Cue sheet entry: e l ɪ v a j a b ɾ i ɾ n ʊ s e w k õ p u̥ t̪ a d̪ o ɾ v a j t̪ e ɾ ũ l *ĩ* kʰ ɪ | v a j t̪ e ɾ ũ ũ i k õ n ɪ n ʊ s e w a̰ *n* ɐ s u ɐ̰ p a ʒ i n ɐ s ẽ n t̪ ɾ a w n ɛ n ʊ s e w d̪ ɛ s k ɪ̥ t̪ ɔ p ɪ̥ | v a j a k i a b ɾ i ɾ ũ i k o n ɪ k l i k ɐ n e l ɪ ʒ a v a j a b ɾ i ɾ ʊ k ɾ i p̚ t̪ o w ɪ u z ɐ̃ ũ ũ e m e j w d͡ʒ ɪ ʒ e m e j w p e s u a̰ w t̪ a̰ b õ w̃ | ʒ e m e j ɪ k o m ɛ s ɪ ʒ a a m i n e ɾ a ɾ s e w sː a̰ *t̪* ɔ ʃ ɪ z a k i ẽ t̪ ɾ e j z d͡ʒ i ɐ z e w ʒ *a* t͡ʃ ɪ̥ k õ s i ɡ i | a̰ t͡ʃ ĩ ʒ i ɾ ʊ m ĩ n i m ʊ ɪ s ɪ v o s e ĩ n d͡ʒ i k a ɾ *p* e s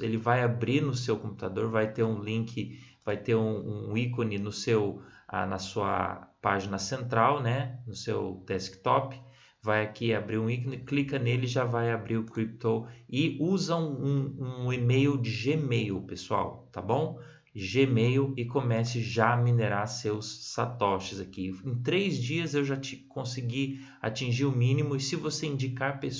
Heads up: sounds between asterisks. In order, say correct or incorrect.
correct, correct, correct, correct, correct

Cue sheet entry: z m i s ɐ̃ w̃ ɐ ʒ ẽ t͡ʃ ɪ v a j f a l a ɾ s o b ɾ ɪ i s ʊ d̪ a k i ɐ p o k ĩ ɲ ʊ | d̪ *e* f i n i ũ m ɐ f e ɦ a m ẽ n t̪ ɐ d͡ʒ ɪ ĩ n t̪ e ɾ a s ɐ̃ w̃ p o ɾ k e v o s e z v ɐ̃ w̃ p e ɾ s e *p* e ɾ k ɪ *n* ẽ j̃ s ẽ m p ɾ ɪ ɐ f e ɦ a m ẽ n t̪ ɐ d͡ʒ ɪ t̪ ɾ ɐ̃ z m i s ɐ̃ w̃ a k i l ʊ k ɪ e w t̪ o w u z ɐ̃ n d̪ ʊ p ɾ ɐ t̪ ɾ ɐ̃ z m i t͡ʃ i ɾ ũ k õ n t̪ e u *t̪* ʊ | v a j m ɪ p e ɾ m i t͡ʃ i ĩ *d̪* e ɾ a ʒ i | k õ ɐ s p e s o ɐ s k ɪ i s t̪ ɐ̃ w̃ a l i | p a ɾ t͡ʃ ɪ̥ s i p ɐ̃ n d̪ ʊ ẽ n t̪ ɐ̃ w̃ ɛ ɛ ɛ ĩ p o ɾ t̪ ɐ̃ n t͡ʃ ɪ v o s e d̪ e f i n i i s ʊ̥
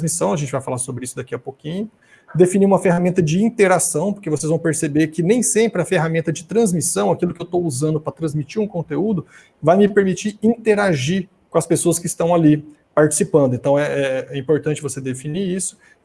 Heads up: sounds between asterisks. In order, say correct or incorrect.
correct, incorrect, correct, incorrect, incorrect

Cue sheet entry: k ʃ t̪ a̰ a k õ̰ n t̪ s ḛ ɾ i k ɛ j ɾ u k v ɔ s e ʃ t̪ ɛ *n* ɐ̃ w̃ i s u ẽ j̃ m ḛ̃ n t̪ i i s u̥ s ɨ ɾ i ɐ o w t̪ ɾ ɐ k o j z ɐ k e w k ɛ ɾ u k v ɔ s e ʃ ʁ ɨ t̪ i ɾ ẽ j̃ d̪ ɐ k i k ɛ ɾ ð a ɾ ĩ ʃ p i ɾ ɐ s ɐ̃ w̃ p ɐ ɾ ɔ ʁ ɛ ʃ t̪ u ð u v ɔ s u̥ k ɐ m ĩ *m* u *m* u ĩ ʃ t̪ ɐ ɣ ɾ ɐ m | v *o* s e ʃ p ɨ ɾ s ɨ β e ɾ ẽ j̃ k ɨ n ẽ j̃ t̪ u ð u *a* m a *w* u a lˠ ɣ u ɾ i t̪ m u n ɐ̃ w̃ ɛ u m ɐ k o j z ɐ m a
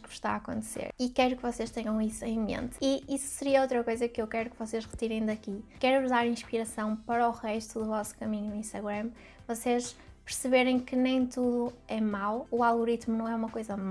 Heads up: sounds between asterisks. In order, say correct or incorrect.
incorrect, incorrect, incorrect, incorrect, incorrect, correct

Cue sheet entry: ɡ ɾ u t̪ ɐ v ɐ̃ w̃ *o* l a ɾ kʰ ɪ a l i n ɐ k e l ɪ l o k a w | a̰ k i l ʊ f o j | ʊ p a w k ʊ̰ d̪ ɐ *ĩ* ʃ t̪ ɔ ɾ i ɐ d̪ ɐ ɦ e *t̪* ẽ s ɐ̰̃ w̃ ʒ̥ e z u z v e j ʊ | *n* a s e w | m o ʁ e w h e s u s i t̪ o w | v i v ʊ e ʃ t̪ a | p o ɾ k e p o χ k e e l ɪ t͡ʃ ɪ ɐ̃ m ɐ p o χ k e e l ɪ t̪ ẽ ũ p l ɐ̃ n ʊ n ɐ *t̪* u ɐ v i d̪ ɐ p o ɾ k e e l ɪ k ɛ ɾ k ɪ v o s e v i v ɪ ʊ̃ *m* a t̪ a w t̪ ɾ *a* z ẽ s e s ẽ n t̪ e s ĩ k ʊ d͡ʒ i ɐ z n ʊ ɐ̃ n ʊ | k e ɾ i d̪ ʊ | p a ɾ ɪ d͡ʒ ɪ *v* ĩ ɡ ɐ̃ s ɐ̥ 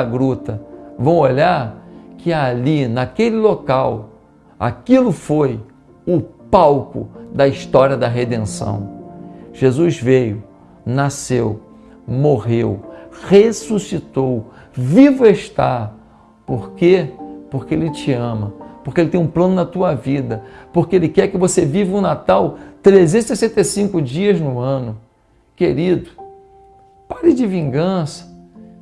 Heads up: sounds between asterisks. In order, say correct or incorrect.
correct, incorrect, incorrect, correct, correct, incorrect, incorrect, correct

